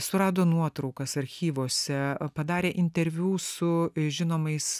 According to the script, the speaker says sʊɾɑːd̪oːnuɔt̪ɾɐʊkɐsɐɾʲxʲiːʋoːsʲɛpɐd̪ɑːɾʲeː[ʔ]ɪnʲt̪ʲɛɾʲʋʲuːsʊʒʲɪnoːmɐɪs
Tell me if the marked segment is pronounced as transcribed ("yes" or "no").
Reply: yes